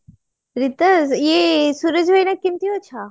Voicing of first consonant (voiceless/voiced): voiced